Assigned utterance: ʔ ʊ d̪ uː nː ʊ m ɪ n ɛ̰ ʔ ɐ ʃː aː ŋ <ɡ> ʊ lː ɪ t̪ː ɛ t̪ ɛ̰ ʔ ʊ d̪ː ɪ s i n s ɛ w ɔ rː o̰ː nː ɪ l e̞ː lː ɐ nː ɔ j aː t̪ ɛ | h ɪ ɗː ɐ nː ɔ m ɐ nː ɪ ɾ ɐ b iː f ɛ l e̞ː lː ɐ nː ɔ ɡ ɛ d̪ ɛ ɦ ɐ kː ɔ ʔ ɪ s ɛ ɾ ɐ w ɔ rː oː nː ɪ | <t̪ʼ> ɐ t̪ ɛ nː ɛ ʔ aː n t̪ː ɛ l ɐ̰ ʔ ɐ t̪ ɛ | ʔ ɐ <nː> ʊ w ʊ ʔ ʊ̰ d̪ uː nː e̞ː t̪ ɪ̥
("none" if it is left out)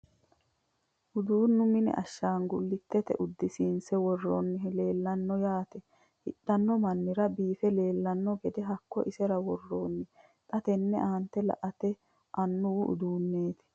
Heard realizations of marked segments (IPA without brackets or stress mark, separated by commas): ɡ, t̪ʼ, nː